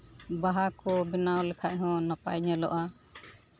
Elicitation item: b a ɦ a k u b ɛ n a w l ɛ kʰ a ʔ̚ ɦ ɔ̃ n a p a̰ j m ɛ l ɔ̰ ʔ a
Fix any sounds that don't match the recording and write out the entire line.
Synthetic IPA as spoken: b a ɦ a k ɔ b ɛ n a w l ɛ kʰ a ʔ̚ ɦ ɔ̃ n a p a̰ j ɲ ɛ l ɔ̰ ʔ a